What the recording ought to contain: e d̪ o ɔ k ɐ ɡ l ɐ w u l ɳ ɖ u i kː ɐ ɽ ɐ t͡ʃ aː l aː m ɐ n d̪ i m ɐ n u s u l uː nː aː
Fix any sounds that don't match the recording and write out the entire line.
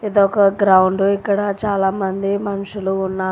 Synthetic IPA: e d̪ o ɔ k ɐ ɡ ɾ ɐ w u ɳ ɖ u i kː ɐ ɽ ɐ t͡ʃ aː l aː m ɐ n d̪ i m ɐ n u ʂ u l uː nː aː